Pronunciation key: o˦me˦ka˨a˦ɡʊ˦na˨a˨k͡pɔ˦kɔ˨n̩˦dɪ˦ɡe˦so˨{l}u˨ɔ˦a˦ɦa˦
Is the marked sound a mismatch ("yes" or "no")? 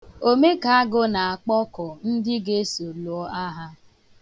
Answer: no